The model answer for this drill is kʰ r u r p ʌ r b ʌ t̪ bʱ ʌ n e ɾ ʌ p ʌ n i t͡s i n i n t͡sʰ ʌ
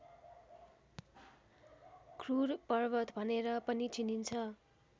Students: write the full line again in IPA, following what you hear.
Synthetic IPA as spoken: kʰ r u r p ʌ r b ʌ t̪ bʱ ʌ n e ɾ ʌ p ʌ n i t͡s i n i n t͡sʰ ʌ